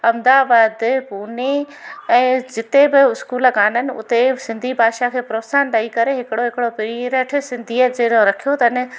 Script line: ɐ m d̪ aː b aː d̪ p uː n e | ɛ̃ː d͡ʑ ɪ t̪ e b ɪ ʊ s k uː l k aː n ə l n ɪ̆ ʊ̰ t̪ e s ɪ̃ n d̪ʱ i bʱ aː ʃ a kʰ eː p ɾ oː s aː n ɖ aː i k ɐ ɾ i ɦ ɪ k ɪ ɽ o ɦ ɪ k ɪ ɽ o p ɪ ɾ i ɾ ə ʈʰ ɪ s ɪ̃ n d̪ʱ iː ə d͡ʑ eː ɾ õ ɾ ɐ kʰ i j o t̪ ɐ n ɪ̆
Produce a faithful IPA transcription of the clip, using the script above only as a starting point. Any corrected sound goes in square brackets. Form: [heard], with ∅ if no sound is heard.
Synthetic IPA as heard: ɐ m d̪ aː b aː d̪ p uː n e | ɛ̃ː d͡ʑ ɪ t̪ e b ɪ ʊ s k uː l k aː n ə [∅] n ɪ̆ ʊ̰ t̪ e s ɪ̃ n d̪ʱ i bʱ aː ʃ a kʰ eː p ɾ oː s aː n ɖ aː i k ɐ ɾ [e] ɦ ɪ k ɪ ɽ o ɦ ɪ k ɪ ɽ o p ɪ ɾ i ɾ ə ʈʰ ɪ s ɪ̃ n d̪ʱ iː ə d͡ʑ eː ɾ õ ɾ ɐ kʰ i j o t̪ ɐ n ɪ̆

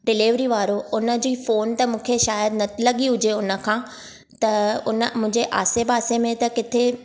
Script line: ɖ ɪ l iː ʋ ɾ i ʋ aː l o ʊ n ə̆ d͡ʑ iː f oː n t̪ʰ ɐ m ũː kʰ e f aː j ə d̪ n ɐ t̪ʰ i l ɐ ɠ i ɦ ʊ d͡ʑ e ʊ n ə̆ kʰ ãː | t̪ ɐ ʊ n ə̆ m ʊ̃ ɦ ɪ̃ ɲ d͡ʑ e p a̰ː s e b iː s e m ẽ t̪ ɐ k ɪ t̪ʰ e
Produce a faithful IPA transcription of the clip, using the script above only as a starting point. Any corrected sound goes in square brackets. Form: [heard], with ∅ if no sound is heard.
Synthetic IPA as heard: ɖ ɪ l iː ʋ ɾ i ʋ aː [ɾ] o ʊ n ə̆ d͡ʑ iː f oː n [t̪] ɐ m ũː kʰ e [ʃ] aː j ə d̪ n ɐ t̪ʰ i l ɐ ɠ i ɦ ʊ d͡ʑ e ʊ n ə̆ kʰ ãː | t̪ ɐ ʊ n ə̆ m ʊ̃ ɦ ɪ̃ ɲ d͡ʑ e [ʔ] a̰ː s e b [aː] s e m ẽ t̪ ɐ k ɪ t̪ʰ e

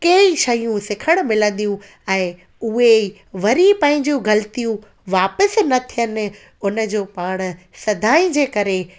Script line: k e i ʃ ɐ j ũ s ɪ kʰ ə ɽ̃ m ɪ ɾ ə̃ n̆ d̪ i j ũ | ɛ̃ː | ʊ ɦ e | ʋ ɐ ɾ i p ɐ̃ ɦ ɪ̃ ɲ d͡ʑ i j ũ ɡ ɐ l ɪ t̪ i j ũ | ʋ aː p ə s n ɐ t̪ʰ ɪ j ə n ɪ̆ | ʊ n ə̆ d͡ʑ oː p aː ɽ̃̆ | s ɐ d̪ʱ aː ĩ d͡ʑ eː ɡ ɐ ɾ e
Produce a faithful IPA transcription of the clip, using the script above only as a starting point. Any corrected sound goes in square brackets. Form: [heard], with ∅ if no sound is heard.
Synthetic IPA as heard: k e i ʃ ɐ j ũ s ɪ kʰ ə ɽ̃ m ɪ [l] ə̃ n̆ d̪ i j ũ | ɛ̃ː | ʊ ɦ e | ʋ ɐ ɾ i p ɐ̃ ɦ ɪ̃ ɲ d͡ʑ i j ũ ɡ ɐ l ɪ t̪ i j ũ | ʋ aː p ə s n ɐ t̪ʰ [i] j ə n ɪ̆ | ʊ n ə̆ d͡ʑ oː p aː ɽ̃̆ | s ɐ d̪ʱ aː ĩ d͡ʑ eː [k] ɐ ɾ e

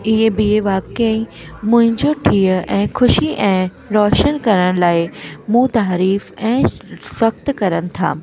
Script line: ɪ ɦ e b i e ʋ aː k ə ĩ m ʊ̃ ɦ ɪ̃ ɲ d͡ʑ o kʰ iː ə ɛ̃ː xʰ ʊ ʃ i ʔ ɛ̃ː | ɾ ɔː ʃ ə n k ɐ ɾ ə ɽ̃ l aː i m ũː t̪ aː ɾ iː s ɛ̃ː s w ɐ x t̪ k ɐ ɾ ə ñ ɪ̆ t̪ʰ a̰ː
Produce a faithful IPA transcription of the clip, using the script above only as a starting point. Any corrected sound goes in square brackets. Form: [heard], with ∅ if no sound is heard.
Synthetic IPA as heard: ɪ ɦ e b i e ʋ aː k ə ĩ m ʊ̃ ɦ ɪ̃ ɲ d͡ʑ o [ʈʰ] iː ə ɛ̃ː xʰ ʊ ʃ i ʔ ɛ̃ː | ɾ ɔː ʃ ə n k ɐ ɾ ə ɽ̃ l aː [ɪ] m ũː t̪ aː ɾ iː [f] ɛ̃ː s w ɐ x t̪ k ɐ ɾ ə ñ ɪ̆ t̪ʰ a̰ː

